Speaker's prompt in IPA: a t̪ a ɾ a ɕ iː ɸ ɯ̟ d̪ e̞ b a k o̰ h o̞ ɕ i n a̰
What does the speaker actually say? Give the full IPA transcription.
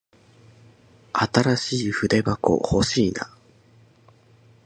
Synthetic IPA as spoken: a t̪ a ɾ a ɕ iː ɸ ɯ̟ d̪ e̞ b a k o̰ h o̞ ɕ iː n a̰